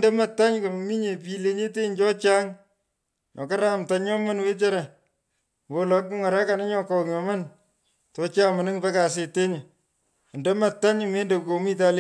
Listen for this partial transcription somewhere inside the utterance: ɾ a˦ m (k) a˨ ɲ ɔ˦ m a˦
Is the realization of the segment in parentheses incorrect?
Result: yes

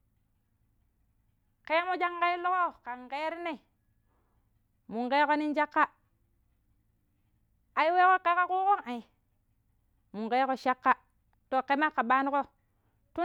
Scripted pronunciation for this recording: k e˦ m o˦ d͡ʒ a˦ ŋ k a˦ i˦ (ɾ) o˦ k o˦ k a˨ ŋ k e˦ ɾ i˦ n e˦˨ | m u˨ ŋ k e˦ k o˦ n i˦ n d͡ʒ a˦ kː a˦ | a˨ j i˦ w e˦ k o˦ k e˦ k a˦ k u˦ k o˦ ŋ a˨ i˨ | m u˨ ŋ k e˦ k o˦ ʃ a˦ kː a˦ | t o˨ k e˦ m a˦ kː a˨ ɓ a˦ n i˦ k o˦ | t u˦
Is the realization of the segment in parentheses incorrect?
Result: yes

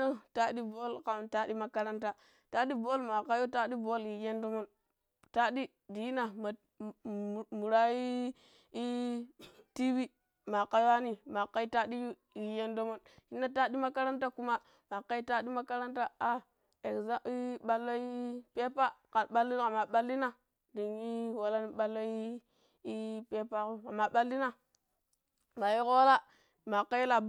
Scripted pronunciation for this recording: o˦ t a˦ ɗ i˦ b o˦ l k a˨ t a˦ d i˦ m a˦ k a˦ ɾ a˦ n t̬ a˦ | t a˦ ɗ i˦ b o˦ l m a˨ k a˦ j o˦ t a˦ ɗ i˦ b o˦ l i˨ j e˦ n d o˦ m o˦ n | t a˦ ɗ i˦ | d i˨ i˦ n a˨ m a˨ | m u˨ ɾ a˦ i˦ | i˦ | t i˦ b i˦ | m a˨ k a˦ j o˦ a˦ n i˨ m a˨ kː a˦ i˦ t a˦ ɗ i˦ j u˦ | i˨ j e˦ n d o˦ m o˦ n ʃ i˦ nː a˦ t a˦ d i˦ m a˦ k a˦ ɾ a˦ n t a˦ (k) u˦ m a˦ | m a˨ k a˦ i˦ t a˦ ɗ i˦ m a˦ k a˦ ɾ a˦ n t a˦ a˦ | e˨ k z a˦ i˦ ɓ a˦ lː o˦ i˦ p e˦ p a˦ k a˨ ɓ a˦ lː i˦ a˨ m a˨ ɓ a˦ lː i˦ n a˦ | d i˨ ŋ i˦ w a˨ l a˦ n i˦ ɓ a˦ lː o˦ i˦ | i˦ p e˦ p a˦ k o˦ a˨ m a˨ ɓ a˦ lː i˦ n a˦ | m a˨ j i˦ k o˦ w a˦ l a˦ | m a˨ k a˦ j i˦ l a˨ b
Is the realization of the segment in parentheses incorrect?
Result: no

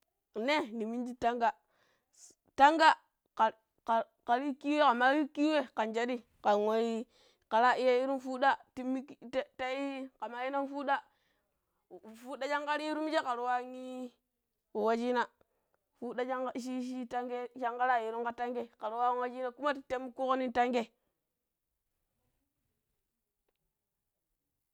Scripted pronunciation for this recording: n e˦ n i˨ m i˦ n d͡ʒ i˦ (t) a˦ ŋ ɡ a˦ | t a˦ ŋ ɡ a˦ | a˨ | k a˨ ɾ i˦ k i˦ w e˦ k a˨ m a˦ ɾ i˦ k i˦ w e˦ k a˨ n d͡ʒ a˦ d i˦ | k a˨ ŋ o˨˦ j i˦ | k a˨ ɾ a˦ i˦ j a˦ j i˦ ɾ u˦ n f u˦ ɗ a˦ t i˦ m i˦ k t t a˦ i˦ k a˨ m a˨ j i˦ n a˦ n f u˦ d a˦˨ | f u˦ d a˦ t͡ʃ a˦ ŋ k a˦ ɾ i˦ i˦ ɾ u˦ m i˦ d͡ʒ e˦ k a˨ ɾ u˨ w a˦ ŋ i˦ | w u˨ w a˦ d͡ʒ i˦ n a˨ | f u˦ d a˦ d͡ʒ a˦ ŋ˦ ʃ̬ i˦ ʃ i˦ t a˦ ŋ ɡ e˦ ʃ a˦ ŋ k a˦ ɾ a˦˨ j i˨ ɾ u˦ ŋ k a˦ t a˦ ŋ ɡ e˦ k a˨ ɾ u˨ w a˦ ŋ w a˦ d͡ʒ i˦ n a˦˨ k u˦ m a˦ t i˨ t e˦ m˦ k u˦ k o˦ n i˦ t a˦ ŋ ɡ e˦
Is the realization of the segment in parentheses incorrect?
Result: no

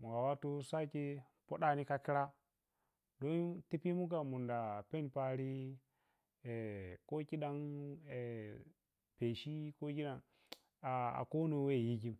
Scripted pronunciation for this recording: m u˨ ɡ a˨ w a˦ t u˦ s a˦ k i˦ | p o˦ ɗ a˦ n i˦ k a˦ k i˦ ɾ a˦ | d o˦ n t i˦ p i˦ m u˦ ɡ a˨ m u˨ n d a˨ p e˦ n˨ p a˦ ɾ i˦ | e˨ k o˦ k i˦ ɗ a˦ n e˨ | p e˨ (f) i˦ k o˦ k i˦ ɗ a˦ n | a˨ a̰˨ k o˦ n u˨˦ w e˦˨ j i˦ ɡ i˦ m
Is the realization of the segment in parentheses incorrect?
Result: yes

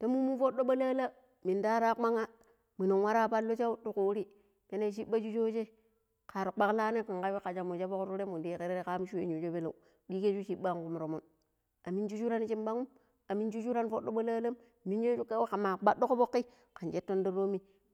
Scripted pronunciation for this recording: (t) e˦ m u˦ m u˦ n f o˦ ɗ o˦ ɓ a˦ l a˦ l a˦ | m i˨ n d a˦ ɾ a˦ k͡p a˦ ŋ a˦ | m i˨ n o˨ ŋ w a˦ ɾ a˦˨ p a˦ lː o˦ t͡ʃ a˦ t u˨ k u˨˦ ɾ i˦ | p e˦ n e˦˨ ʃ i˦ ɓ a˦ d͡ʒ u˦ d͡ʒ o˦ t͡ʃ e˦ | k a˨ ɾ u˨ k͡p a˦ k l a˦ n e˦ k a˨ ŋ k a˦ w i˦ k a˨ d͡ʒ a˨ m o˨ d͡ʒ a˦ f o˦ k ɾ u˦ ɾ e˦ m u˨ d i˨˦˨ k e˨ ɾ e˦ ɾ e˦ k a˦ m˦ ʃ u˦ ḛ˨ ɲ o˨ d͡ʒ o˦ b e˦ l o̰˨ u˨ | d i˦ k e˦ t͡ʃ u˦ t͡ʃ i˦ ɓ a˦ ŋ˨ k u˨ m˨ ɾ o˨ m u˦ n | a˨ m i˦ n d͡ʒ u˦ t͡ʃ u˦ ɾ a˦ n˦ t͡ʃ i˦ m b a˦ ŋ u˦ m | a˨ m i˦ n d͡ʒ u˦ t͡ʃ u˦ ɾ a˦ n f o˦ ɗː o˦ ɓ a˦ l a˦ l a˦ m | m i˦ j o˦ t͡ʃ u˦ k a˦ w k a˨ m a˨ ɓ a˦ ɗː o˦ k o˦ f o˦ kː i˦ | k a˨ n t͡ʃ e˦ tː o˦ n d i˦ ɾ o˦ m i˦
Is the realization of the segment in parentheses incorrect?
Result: no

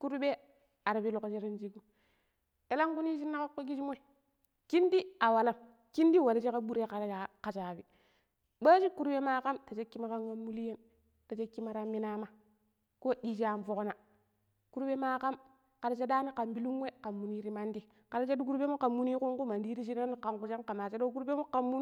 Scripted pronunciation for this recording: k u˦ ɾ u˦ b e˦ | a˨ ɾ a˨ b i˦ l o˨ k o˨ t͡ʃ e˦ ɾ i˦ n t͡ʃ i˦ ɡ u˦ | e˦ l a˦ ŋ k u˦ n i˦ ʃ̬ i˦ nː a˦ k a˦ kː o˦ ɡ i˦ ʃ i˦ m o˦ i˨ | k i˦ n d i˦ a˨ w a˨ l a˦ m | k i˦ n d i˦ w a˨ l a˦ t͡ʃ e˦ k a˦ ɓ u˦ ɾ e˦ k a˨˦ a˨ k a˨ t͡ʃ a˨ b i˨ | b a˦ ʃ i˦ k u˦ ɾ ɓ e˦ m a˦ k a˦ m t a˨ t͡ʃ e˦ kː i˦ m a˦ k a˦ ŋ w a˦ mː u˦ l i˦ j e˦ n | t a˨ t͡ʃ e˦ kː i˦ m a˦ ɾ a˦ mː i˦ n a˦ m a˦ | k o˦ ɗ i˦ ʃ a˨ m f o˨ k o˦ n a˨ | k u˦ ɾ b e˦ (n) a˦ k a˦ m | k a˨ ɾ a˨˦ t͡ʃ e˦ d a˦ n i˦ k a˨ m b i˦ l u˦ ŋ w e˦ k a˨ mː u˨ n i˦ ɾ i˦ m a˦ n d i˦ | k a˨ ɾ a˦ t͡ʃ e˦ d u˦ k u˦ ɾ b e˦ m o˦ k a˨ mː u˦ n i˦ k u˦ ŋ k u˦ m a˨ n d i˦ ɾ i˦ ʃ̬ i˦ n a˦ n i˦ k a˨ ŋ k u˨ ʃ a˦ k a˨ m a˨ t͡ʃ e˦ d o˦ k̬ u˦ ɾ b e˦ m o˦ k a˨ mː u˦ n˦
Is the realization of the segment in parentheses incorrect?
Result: yes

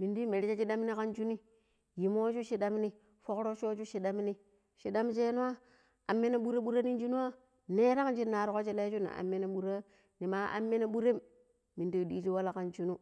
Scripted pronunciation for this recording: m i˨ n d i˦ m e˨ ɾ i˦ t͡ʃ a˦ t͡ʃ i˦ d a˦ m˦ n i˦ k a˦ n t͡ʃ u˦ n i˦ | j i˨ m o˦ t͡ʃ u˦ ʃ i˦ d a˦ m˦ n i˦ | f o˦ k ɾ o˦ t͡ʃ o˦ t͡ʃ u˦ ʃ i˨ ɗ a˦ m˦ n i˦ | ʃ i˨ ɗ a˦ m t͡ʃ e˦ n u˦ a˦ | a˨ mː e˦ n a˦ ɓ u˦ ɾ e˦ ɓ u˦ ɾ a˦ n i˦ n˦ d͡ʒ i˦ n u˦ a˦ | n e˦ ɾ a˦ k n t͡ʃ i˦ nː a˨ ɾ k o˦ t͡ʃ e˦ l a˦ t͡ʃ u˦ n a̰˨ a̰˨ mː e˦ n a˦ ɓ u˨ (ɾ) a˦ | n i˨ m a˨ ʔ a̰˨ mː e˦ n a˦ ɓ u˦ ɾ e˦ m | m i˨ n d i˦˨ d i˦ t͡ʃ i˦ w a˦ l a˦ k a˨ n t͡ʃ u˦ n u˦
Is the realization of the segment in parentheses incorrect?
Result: no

